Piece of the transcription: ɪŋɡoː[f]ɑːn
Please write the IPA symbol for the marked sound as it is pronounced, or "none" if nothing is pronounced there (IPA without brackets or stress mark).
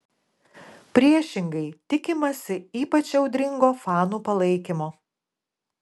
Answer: f